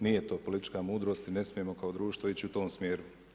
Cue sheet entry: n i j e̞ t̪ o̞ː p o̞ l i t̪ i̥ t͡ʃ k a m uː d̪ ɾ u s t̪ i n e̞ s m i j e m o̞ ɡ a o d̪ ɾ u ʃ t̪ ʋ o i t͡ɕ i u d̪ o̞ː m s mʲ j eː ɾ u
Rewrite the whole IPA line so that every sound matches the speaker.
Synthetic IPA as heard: n i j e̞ t̪ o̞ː p o̞ l i t̪ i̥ t͡ʃ k a m uː d̪ ɾ o s t̪ i n e̞ s m i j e m o̞ k a o d̪ ɾ uː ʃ t̪ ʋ o i t͡ɕ i u t̪ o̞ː m s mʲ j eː ɾ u